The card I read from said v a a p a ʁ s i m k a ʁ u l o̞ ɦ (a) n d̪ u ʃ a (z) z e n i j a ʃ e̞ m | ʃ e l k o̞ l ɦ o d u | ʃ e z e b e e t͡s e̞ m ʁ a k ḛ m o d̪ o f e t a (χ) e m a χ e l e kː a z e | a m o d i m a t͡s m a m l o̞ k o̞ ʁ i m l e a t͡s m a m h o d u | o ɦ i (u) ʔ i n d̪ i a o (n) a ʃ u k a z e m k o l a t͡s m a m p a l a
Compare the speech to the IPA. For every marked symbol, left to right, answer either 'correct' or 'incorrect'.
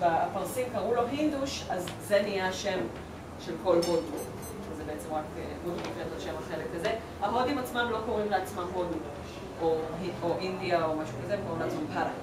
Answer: incorrect, correct, incorrect, incorrect, incorrect

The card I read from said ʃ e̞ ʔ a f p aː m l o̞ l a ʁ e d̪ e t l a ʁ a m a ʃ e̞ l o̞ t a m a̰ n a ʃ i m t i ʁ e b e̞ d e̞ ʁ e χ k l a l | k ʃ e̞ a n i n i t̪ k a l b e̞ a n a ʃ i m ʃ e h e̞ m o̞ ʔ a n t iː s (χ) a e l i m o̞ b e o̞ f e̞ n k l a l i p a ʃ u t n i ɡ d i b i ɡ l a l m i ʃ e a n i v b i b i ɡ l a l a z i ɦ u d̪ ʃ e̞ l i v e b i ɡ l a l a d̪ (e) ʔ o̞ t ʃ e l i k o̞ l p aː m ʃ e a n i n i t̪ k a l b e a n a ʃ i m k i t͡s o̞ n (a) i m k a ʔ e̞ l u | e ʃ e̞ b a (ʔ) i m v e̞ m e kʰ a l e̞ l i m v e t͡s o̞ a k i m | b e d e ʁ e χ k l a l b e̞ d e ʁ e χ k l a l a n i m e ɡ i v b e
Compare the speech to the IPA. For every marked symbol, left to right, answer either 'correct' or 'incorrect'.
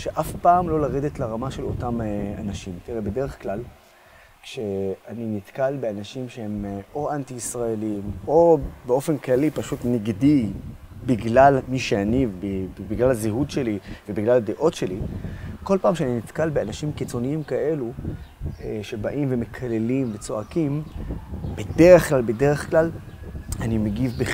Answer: incorrect, correct, incorrect, correct

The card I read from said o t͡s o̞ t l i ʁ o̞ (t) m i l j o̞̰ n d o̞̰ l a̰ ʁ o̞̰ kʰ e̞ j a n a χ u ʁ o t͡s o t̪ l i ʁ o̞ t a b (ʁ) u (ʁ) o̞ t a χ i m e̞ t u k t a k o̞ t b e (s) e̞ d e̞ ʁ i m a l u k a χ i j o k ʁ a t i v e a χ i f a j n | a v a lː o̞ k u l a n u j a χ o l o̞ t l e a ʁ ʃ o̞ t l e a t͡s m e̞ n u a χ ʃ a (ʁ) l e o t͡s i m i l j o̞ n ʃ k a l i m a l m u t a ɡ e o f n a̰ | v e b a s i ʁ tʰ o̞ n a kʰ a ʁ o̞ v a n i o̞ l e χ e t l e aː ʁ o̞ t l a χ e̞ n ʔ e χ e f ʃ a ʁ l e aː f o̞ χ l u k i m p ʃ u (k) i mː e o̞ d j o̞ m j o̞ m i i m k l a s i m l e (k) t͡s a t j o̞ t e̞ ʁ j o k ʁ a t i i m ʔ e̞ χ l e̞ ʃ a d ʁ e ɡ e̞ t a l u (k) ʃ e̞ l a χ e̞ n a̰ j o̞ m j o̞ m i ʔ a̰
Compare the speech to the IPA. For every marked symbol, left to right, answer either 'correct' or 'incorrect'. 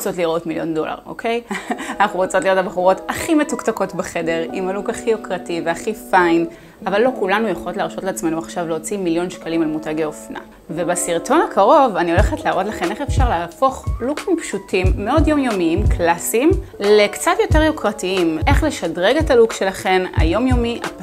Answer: correct, incorrect, correct, incorrect, incorrect, incorrect, correct, correct

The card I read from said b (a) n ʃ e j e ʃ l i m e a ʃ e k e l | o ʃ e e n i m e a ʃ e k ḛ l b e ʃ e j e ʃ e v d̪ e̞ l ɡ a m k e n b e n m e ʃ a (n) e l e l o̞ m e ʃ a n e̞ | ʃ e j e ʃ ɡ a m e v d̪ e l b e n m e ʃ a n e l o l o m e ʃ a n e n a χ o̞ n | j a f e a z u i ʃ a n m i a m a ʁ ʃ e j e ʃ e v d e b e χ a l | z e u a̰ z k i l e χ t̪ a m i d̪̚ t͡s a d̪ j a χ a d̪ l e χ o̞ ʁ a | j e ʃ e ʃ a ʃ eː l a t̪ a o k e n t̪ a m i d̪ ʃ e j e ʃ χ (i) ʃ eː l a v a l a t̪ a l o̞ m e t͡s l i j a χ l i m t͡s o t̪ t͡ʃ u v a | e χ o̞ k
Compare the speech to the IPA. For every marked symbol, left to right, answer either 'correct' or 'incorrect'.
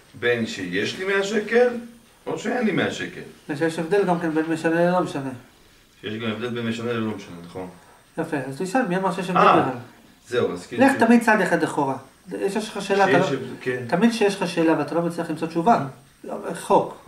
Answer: incorrect, correct, incorrect

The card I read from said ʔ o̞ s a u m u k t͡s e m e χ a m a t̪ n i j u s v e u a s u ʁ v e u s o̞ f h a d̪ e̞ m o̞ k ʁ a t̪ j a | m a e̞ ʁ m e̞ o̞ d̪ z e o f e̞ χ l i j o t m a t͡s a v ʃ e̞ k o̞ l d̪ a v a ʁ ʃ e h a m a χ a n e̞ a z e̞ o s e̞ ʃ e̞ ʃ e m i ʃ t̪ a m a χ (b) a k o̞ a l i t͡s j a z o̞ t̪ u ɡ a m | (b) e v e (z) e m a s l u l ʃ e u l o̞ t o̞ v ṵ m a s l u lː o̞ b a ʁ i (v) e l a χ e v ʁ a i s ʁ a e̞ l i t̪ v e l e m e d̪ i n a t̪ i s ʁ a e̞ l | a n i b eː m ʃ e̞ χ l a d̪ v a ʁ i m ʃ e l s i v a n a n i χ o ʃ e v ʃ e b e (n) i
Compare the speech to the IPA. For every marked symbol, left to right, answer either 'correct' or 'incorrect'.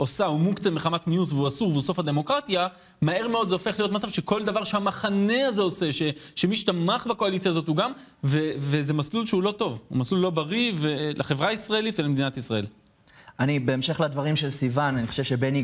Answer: correct, incorrect, correct, correct, correct

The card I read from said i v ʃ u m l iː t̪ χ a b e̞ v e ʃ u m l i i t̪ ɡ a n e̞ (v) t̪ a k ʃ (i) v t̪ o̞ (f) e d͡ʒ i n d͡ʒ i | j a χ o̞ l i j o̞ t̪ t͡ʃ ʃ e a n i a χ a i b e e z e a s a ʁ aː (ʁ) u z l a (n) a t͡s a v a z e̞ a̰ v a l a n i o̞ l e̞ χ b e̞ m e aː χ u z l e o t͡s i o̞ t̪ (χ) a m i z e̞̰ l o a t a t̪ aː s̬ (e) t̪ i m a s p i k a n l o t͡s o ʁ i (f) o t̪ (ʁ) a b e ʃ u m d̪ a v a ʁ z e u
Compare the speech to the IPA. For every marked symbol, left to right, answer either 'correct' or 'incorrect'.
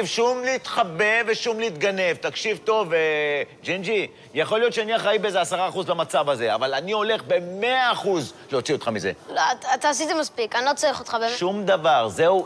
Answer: correct, correct, incorrect, incorrect, incorrect, correct, incorrect, incorrect, incorrect

